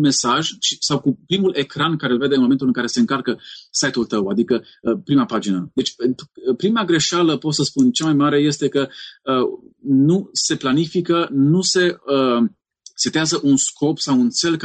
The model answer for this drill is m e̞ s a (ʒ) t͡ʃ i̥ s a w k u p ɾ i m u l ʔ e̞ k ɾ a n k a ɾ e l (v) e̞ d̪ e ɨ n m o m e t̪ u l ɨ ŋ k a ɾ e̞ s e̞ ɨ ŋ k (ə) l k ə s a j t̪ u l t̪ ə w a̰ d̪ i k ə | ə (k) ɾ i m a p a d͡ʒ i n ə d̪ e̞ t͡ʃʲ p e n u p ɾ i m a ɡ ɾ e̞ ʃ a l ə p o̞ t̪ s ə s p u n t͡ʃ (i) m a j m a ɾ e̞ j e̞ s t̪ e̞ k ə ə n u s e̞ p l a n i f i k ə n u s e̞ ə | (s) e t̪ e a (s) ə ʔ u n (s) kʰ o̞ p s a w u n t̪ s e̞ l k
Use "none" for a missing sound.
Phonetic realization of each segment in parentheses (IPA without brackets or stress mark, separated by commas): ʒ, v, a, p, a, s, z, s